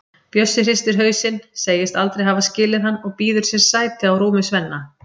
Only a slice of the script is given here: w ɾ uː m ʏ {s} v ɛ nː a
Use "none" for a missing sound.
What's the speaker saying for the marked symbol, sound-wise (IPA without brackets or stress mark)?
s